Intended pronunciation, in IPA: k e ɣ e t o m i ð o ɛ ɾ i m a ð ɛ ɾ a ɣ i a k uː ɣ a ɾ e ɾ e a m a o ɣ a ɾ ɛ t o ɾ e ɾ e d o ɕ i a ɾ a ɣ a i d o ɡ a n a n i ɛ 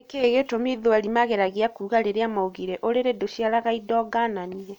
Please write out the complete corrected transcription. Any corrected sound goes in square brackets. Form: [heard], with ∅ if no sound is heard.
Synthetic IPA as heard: k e ɣ e t o m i ð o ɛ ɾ i m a [ɣ] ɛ ɾ a ɣ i a k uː ɣ a ɾ e ɾ e a m a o ɣ [i] ɾ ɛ [ʔ] o ɾ e ɾ e d o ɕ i a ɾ a ɣ a i d [ɔ] ɡ a n a n i ɛ